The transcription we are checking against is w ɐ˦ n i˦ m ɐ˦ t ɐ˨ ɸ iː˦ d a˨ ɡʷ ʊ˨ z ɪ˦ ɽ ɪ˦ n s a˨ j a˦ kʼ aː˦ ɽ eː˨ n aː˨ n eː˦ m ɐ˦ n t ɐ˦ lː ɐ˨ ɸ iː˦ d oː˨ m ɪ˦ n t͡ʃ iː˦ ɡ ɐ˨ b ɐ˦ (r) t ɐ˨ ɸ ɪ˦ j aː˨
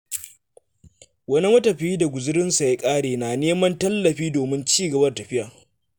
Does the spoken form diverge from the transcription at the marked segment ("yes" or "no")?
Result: no